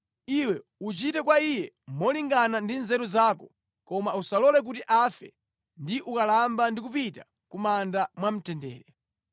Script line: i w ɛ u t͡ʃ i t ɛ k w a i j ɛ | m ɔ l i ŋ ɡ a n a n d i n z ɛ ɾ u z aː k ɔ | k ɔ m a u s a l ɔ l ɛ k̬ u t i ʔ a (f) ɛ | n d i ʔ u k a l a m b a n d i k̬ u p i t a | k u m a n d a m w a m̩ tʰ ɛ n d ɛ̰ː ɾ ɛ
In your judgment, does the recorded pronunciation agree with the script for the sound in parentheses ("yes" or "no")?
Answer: yes